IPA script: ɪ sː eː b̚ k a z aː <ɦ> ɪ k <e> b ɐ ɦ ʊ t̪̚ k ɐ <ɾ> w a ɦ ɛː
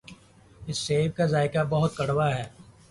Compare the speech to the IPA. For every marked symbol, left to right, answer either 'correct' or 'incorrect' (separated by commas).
incorrect, incorrect, incorrect